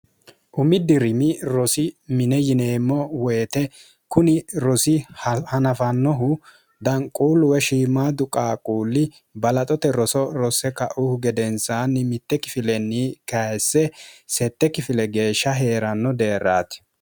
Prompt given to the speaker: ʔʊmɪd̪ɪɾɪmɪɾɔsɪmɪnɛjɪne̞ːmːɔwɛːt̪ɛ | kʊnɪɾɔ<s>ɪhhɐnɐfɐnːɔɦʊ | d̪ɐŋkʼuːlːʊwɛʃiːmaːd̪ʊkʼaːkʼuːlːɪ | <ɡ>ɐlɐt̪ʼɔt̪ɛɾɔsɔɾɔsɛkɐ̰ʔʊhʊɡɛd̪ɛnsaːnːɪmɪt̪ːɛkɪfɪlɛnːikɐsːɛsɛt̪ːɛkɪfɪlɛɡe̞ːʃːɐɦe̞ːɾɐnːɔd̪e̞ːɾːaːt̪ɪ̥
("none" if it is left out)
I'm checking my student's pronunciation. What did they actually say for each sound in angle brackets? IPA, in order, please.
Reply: s, b

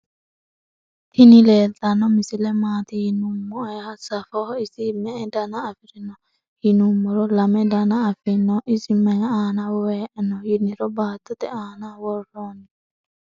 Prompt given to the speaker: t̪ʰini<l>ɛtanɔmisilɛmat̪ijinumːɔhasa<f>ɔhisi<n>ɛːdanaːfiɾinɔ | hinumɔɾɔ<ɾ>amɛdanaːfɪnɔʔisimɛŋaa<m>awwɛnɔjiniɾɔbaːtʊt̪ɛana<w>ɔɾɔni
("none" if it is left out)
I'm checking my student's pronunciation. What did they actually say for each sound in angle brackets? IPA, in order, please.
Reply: l, f, m, l, n, w

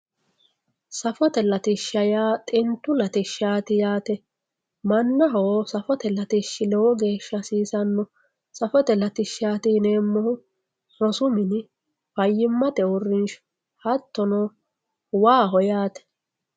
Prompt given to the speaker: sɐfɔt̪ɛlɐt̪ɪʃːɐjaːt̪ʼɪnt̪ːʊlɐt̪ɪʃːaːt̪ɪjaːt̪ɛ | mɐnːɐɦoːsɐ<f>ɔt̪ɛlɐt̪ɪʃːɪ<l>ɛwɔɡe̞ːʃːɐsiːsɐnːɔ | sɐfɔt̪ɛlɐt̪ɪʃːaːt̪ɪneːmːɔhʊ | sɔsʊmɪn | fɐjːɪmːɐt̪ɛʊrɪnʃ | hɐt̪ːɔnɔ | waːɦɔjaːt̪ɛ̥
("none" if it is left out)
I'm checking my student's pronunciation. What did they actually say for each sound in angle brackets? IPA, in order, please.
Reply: f, l

